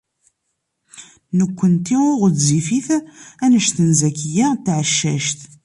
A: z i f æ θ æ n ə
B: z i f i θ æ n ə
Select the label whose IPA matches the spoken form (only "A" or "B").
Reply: B